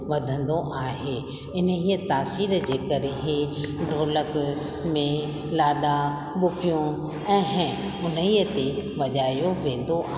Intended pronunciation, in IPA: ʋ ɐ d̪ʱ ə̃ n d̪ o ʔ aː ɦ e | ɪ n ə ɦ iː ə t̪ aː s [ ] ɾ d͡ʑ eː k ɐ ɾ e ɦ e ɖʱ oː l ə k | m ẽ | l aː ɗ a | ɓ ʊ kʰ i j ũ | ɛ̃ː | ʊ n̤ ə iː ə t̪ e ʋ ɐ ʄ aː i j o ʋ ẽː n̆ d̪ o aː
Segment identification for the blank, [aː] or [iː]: iː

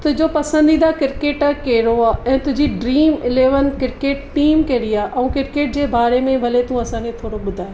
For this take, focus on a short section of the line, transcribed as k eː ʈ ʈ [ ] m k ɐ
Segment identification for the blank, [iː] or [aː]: iː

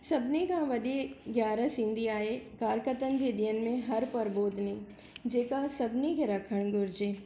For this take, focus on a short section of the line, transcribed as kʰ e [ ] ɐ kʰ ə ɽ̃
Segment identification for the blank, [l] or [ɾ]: ɾ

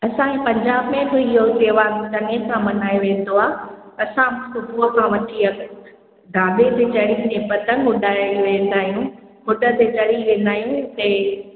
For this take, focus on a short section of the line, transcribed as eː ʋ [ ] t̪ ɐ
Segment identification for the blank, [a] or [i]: a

